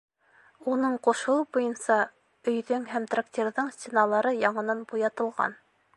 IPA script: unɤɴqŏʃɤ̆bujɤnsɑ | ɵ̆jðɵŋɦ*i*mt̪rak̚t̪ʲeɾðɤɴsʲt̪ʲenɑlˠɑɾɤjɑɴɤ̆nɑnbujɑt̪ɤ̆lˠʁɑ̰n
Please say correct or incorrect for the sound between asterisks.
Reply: incorrect